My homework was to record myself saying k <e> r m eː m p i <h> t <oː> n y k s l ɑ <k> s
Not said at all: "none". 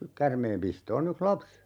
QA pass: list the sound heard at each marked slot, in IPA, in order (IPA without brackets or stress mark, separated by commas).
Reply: æ, s, oː, p